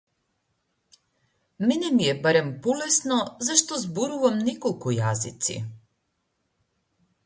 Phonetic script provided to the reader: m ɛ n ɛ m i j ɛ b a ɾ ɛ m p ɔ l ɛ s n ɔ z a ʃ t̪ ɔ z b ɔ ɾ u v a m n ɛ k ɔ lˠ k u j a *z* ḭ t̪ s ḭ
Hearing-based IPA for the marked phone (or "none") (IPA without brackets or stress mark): z